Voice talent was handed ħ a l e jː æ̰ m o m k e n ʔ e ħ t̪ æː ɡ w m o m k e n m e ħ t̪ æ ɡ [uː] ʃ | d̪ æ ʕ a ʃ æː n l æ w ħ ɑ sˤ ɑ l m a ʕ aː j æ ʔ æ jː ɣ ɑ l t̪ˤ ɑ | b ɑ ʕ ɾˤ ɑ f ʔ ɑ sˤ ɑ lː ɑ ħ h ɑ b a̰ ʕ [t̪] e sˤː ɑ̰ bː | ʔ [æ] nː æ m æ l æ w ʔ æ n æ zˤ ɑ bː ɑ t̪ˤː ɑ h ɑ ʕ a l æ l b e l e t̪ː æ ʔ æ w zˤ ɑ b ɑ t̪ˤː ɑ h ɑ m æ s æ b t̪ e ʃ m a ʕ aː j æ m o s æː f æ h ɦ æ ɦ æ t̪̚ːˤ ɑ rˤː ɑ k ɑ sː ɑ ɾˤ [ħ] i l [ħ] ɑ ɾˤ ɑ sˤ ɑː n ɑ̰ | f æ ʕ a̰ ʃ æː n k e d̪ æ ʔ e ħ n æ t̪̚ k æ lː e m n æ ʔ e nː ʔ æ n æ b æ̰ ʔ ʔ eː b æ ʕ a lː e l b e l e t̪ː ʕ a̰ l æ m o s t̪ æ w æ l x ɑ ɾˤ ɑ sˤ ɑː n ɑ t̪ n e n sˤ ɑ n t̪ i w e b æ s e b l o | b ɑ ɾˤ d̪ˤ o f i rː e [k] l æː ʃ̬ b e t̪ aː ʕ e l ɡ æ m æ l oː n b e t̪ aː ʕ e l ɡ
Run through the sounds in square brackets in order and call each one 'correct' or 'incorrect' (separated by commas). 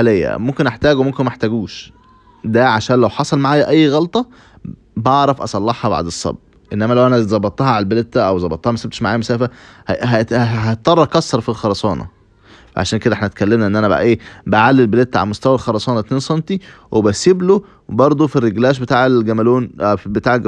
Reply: correct, incorrect, incorrect, incorrect, incorrect, incorrect